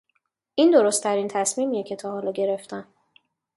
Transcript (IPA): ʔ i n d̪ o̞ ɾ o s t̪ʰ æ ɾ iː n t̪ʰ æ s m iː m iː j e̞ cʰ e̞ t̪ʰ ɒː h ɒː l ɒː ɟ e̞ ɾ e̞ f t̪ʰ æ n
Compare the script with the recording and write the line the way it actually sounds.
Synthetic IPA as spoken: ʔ i n d̪ o̞ ɾ o s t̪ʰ æ ɾ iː n t̪ʰ æ s m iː m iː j e̞ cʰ e̞ t̪ʰ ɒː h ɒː l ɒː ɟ e̞ ɾ e̞ f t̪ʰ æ n